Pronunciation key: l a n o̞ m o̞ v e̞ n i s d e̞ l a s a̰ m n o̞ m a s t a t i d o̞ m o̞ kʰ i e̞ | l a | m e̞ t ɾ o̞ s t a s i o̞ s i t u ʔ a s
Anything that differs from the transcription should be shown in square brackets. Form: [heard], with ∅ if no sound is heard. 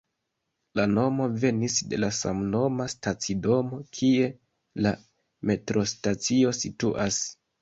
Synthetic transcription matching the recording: l a n o̞ m o̞ v e̞ n i s d e̞ l a s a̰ m n o̞ m a s t a [t͡s] i d o̞ m o̞ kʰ i e̞ | l a | m e̞ t ɾ o̞ s t a [t͡s] i o̞ s i t u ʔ a s